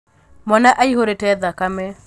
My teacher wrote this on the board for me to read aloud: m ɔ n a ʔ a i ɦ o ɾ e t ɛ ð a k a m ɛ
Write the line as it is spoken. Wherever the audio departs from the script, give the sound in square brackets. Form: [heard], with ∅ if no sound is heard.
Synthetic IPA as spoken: m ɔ n a ʔ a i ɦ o ɾ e t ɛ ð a k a m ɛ